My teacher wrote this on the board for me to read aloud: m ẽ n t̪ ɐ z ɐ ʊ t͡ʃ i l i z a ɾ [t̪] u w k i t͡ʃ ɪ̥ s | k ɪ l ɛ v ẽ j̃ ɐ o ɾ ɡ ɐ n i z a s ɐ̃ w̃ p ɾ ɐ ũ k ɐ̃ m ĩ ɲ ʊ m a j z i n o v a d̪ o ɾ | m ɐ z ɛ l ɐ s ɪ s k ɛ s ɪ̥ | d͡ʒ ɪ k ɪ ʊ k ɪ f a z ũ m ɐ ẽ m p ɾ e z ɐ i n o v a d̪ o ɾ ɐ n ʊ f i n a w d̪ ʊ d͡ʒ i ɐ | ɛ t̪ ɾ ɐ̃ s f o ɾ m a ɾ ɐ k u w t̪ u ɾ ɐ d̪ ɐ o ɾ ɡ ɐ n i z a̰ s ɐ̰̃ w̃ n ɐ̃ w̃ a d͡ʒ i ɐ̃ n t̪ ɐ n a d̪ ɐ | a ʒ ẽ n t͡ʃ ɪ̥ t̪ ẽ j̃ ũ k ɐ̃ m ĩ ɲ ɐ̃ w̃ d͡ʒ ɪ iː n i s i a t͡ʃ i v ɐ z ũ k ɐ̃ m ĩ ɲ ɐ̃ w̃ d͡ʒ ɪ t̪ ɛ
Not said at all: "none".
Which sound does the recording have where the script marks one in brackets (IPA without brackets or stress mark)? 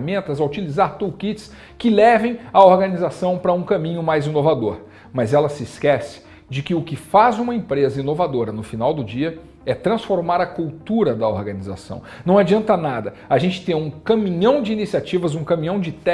t̪